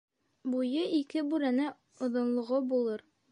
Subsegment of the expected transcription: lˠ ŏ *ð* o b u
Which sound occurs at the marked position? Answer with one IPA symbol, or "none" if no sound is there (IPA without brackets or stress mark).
ʁ